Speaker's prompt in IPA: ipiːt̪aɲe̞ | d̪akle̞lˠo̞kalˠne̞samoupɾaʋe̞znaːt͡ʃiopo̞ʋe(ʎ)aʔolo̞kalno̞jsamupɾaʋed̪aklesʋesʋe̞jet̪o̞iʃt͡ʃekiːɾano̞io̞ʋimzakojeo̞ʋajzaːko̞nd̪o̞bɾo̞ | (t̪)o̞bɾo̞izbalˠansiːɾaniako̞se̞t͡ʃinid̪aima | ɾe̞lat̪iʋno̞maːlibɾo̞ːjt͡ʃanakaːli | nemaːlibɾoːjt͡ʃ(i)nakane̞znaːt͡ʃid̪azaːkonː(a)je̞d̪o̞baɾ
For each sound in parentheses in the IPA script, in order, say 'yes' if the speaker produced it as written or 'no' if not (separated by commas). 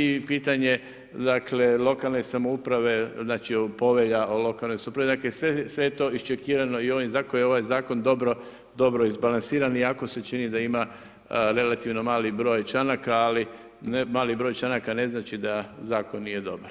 yes, no, no, no